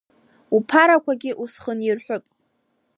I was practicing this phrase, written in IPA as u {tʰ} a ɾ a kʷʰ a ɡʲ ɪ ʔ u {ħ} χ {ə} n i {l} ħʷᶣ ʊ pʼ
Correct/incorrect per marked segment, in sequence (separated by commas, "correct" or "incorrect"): incorrect, incorrect, correct, incorrect